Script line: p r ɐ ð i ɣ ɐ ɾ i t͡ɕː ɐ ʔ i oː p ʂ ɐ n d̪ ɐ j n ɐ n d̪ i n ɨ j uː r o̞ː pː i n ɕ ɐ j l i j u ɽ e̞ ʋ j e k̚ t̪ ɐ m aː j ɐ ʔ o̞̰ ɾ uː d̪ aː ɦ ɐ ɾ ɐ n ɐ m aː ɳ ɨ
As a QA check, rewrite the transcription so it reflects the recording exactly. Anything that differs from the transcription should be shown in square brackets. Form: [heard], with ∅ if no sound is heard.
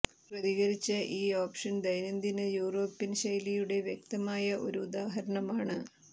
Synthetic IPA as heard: p r ɐ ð i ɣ ɐ ɾ i t͡ɕː ɐ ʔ [iː] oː p ʂ ɐ n d̪ ɐ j n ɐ n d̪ i n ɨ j uː r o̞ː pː i n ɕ ɐ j l i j u ɽ e̞ ʋ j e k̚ t̪ ɐ m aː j ɐ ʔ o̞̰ ɾ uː d̪ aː ɦ ɐ ɾ ɐ [ɳ] ɐ m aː ɳ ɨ